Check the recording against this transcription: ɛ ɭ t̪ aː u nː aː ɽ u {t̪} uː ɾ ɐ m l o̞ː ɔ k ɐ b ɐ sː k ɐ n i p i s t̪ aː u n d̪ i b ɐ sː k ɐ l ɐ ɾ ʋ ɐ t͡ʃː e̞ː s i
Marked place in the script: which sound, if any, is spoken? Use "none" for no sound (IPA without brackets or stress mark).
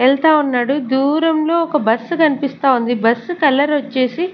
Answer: d̪